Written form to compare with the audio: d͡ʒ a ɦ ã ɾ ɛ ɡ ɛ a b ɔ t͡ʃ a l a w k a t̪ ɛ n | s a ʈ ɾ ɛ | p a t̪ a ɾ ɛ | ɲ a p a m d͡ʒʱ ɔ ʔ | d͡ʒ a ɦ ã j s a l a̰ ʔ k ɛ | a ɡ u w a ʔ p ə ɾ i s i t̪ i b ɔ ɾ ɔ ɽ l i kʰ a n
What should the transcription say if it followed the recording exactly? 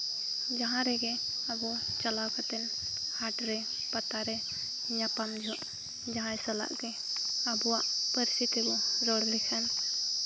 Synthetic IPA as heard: d͡ʒ a ɦ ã ɾ ɛ ɡ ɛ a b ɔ t͡ʃ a l a w k a t̪ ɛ n | h a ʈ ɾ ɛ | p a t̪ a ɾ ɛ | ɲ a p a m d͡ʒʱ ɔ ʔ | d͡ʒ a ɦ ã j s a l a̰ ʔ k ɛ | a b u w a ʔ p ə ɾ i s i t̪ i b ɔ ɾ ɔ ɽ l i kʰ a n

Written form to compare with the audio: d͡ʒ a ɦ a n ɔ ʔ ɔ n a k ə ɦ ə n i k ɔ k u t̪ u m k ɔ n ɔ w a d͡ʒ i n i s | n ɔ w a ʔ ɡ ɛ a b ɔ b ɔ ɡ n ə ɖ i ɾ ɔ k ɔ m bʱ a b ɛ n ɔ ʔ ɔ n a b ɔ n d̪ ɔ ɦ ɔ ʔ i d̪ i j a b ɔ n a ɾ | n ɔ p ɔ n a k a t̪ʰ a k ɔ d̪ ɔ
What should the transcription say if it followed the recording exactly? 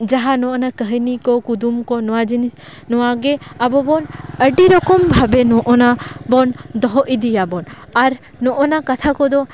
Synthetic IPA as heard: d͡ʒ a ɦ a n ɔ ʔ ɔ n a k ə ɦ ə n i k ɔ k u d̪ u m k ɔ n ɔ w a d͡ʒ i n i s | n ɔ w a ɡ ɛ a b ɔ b ɔ n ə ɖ i ɾ ɔ k ɔ m bʱ a b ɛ n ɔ ʔ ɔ n a b ɔ n d̪ ɔ ɦ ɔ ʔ i d̪ i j a b ɔ n a ɾ | n ɔ ʔ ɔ n a k a t̪ʰ a k ɔ d̪ ɔ

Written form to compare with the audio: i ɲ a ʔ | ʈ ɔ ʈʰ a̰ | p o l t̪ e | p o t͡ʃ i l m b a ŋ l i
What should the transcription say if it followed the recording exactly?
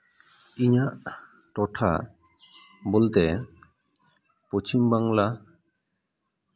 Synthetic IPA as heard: i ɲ a ʔ | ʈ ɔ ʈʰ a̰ | b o l t̪ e | p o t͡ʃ i m b a ŋ l a

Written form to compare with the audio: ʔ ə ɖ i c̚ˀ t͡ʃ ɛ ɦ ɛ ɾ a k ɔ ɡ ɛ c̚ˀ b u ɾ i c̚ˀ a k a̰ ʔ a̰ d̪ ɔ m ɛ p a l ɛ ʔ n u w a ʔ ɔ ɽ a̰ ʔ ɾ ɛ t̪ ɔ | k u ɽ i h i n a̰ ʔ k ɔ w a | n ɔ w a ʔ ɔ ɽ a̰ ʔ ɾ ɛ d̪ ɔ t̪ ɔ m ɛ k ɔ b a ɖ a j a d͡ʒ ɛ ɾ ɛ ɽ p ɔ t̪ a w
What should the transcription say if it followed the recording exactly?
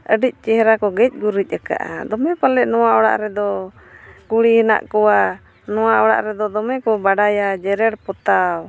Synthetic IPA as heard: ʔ ə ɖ i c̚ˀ t͡ʃ ɛ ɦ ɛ ɾ a k ɔ ɡ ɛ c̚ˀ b u ɾ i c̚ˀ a k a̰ ʔ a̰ d̪ ɔ m ɛ p a l ɛ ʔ n ɔ w a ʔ ɔ ɽ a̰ ʔ ɾ ɛ d̪ ɔ | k u ɽ i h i n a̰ ʔ k ɔ w a | n ɔ w a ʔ ɔ ɽ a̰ ʔ ɾ ɛ d̪ ɔ d̪ ɔ m ɛ k ɔ b a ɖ a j a d͡ʒ ɛ ɾ ɛ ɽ p ɔ t̪ a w

